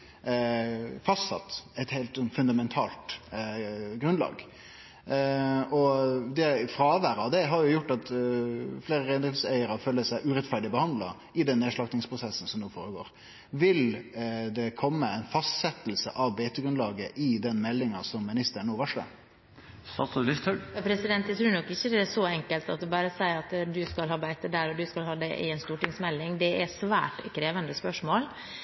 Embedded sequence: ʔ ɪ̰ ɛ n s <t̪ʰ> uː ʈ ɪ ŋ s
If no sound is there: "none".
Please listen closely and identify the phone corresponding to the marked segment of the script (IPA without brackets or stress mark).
t̪